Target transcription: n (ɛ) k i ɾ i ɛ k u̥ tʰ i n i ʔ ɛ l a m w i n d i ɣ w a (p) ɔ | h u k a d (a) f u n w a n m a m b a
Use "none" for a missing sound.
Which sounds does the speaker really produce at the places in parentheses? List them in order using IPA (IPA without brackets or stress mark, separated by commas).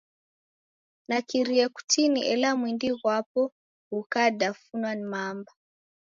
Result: a, p, a